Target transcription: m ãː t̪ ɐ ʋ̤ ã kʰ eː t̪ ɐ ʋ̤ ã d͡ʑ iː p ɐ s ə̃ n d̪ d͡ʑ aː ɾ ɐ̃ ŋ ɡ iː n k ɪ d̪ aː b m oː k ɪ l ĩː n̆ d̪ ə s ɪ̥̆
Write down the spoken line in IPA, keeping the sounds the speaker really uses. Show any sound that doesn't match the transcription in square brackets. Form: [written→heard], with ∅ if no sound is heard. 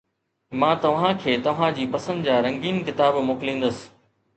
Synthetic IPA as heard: m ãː t̪ ɐ ʋ̤ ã kʰ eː t̪ ɐ ʋ̤ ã d͡ʑ iː p ɐ s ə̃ n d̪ d͡ʑ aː ɾ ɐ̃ ŋ ɡ iː n k ɪ [d̪→t̪] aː b m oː k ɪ l ĩː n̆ d̪ ə s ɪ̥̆